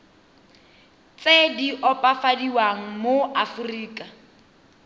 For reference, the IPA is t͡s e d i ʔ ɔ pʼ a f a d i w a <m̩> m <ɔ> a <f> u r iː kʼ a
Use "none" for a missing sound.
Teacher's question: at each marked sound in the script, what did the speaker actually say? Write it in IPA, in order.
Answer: ŋ̩, o, f

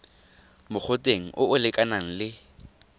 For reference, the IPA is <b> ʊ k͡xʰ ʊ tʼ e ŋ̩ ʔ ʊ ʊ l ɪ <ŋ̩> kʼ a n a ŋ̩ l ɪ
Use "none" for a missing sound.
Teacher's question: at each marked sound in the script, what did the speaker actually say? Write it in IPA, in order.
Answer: m, none

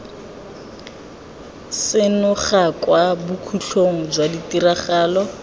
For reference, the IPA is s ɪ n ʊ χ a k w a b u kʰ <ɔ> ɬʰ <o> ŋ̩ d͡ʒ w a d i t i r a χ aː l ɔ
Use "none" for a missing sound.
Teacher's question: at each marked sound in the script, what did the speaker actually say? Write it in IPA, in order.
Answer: u, o

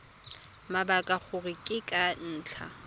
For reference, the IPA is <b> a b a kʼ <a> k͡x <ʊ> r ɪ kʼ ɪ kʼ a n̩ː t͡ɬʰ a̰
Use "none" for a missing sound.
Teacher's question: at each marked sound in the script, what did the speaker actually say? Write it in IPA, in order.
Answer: m, a, ʊ

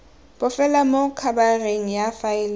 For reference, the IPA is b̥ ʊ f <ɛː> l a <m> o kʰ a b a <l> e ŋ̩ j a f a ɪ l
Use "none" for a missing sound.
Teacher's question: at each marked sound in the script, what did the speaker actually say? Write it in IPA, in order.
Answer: ɛ, m, r

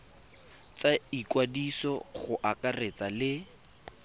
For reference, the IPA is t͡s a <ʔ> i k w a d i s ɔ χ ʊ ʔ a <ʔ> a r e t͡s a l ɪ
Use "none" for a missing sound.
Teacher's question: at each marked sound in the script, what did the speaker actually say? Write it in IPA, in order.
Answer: none, k

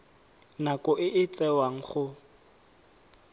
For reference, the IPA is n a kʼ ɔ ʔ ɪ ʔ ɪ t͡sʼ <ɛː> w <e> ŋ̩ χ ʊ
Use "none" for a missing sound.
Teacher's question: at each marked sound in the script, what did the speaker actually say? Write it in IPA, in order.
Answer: ɛ, a

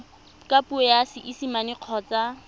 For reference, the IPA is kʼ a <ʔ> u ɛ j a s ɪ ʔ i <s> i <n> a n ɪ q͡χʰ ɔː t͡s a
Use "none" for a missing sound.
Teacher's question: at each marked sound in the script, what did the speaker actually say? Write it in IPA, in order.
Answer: p, s, m

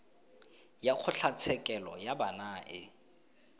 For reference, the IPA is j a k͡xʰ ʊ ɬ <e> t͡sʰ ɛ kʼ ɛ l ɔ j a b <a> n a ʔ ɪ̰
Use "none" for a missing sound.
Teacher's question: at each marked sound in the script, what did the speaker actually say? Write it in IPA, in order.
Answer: a, a

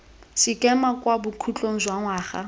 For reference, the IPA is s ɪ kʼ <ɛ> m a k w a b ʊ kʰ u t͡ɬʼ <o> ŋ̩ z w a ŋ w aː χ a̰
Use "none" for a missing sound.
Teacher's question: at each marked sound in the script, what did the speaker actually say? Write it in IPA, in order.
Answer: ɛ, o

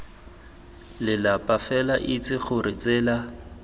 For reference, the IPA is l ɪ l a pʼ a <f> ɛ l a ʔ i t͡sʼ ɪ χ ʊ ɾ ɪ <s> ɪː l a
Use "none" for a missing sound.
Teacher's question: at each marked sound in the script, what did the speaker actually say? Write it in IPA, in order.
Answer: f, t͡s

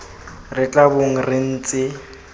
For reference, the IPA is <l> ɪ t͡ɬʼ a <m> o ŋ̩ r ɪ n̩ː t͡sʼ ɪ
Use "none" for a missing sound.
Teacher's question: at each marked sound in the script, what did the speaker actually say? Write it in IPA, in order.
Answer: r, b

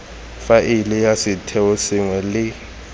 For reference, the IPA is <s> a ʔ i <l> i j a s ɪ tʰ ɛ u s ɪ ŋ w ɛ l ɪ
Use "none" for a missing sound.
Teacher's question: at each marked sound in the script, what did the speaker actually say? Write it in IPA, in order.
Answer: f, l

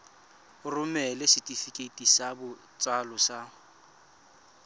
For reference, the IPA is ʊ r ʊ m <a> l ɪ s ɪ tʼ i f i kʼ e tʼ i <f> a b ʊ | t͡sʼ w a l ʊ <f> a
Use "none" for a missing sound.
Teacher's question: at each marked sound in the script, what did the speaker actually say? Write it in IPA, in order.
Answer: ɛ, s, s

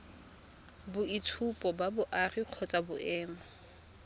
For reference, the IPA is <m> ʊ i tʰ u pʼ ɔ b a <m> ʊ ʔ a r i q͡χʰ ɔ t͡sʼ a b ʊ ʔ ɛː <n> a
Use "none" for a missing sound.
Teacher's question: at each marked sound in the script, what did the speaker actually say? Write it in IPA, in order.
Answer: b, b, m

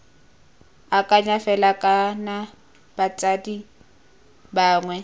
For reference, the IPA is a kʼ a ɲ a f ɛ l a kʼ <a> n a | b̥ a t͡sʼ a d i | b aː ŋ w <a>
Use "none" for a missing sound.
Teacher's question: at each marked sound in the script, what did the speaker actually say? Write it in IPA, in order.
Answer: a, ɛ

